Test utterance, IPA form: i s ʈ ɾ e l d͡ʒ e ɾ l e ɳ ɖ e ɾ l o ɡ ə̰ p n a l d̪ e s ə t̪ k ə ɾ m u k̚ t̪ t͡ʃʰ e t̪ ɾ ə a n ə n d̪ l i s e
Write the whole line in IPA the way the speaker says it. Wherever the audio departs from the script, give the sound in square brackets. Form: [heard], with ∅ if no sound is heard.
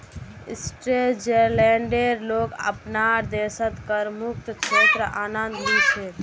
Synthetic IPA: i s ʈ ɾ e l d͡ʒ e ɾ l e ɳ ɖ e ɾ l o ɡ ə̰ p n a [ɾ] d̪ e s ə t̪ k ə ɾ m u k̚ t̪ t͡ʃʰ e t̪ ɾ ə a n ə n d̪ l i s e